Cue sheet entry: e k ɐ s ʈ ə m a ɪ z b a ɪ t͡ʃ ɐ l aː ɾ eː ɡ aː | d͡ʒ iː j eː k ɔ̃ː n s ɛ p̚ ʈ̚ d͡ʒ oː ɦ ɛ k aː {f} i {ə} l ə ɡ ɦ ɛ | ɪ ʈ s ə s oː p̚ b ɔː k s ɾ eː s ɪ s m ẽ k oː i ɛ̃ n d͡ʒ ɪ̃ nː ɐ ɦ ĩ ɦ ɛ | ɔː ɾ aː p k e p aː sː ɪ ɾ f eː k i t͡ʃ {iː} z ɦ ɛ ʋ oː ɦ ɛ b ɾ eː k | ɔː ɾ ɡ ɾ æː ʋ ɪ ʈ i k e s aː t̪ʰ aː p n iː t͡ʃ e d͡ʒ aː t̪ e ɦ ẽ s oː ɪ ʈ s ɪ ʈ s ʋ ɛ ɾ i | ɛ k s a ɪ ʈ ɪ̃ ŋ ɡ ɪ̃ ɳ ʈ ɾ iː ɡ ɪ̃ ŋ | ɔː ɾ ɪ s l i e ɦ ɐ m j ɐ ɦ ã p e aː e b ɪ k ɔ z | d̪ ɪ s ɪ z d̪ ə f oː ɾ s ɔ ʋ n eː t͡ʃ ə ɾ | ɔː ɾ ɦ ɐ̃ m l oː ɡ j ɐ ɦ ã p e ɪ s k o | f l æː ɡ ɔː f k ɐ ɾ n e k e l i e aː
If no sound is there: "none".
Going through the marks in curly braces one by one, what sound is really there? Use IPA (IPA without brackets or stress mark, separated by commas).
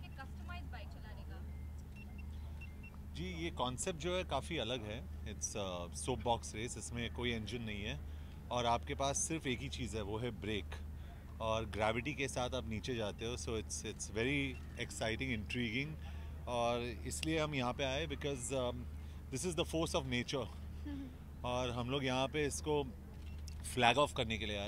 f, ɐ, iː